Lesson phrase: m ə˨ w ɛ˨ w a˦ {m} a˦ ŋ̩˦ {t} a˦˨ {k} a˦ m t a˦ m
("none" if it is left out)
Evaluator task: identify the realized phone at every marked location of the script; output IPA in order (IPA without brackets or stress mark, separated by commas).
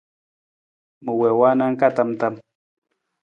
n, k, t